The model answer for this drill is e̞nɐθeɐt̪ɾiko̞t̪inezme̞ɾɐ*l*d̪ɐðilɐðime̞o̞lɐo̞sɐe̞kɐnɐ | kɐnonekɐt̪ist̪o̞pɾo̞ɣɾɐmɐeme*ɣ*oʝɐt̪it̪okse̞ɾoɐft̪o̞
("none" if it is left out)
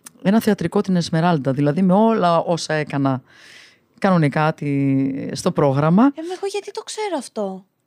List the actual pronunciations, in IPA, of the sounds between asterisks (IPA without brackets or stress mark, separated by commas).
l, ɣ